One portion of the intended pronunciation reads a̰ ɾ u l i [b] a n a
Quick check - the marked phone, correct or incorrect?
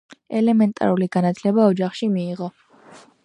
incorrect